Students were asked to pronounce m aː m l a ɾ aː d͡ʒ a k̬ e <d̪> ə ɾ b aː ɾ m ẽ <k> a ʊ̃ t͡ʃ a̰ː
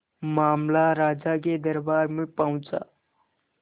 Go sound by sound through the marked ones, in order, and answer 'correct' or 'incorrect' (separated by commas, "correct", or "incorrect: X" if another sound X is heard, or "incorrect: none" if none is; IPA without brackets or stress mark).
correct, incorrect: p